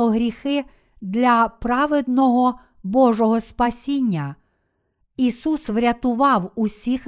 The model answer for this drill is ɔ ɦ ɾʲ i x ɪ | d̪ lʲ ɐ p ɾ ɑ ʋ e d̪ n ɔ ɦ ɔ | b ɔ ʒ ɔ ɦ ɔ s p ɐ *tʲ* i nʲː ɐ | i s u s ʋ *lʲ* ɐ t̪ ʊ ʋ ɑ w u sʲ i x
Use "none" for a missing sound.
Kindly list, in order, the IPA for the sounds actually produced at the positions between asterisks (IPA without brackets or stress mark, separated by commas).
sʲ, ɾʲ